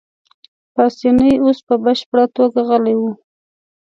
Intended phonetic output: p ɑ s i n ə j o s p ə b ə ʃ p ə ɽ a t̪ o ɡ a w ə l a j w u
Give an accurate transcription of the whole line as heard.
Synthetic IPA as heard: p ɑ s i n ə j o s p ə b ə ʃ p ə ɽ a t̪ o ɡ a ɣ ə l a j w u